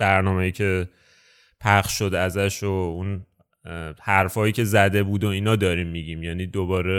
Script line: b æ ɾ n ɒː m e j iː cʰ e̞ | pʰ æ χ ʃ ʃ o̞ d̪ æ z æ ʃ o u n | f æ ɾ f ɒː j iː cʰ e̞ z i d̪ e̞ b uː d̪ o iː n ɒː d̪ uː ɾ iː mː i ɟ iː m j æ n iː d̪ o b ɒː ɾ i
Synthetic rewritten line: b æ ɾ n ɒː m e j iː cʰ e̞ | pʰ æ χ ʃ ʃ o̞ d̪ æ z æ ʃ o u n | h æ ɾ f ɒː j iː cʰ e̞ z æ d̪ e̞ b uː d̪ o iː n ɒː d̪ ɒː ɾ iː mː i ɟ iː m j æ n iː d̪ o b ɒː ɾ e